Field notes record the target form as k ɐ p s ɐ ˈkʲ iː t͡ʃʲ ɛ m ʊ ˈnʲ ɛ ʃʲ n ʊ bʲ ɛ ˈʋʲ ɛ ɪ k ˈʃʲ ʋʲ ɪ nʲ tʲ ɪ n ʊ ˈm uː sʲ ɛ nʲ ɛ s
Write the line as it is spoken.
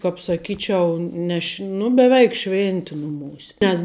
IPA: k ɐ p s ɐ ˈkʲ iː t͡ʃʲ ɛ ʊ ˈnʲ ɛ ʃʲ n ʊ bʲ ɛ ˈʋʲ ɛ ɪ k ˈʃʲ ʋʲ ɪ nʲ tʲ ɪ n ʊ ˈm uː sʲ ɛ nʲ ɛ s